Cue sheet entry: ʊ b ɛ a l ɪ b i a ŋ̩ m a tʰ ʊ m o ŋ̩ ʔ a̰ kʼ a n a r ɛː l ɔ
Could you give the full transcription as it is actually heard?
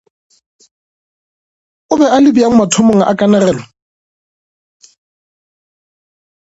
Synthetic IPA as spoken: ʊ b ɛ a l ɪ b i a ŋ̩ m a tʰ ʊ m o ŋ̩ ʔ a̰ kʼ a n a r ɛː l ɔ